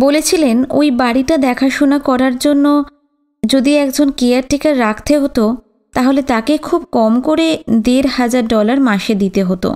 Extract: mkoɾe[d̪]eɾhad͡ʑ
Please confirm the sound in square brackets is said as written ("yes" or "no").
yes